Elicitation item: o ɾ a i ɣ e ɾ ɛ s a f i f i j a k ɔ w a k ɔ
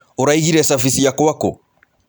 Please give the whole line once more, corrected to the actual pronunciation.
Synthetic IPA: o ɾ a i ɣ i ɾ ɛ s a f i s i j a k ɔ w a k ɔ